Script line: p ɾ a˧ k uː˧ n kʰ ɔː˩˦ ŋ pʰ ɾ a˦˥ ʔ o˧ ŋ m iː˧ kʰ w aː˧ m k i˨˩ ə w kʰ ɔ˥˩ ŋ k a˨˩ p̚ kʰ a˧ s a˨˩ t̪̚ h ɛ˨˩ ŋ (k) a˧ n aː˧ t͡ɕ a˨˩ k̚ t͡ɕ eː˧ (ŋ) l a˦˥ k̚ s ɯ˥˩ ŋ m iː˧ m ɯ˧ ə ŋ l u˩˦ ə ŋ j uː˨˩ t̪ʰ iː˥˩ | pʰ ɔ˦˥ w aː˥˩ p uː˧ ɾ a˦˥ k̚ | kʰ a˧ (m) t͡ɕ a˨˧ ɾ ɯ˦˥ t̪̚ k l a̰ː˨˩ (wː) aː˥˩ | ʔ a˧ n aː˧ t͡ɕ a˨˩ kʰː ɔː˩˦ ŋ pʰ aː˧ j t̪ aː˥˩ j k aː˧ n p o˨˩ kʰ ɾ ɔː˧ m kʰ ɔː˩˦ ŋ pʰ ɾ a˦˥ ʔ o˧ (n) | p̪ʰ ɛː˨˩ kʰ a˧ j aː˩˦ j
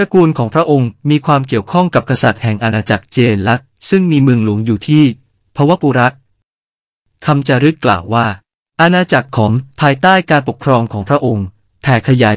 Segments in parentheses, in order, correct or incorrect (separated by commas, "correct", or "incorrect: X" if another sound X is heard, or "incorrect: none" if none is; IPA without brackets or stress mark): incorrect: ʔ, incorrect: n, correct, correct, incorrect: ŋ